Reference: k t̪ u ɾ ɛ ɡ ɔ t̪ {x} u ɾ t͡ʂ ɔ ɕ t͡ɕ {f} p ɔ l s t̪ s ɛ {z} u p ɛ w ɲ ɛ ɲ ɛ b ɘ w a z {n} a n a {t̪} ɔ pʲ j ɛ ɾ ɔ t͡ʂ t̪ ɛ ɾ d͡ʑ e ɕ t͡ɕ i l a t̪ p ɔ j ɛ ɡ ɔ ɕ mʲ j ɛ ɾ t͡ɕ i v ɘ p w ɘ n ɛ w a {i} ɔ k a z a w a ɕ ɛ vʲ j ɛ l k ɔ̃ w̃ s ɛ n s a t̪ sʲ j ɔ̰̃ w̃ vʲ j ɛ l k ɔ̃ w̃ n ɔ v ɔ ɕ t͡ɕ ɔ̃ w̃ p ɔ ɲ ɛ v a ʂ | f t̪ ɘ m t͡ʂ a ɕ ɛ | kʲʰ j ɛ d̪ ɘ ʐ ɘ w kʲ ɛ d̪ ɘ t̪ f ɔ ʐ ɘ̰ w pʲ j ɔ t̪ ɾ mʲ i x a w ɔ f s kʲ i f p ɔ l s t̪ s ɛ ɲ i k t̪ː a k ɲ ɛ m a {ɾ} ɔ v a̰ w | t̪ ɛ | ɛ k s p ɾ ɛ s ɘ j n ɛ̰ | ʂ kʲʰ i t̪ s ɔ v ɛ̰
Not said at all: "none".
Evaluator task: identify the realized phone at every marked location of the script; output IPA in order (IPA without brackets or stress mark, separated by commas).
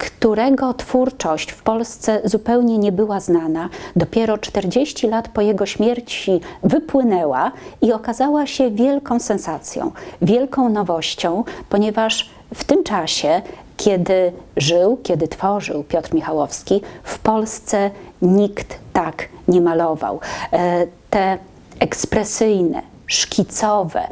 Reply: f, f, z, n, d̪, i, l